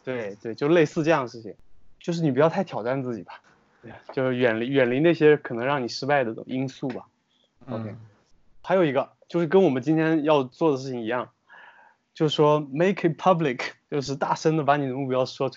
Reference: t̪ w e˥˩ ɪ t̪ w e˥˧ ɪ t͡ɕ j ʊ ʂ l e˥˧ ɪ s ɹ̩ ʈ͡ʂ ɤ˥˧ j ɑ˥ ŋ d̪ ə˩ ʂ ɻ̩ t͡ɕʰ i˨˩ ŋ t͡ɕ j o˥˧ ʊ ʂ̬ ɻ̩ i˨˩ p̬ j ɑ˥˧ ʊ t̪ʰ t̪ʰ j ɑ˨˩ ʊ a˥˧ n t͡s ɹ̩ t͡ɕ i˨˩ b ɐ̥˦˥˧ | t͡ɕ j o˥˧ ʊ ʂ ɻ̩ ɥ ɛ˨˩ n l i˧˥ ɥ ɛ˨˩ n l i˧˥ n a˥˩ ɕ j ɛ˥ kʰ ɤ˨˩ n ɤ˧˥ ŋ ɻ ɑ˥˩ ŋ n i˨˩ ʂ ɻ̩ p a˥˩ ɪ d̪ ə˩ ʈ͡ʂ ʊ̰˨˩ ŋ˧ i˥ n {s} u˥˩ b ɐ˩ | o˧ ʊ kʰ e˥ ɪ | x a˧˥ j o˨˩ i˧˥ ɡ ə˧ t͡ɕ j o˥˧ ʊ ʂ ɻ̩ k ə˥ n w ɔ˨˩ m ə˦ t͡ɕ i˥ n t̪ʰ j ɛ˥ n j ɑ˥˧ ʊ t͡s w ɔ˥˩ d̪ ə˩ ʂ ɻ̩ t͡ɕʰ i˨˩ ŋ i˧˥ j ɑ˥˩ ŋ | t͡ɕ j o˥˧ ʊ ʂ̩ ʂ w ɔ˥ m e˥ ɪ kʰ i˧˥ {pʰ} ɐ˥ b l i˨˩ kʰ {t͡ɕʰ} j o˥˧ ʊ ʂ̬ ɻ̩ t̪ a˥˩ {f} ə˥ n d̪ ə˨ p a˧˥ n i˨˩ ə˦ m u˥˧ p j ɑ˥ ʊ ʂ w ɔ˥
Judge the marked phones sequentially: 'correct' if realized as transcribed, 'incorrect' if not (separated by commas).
correct, correct, incorrect, incorrect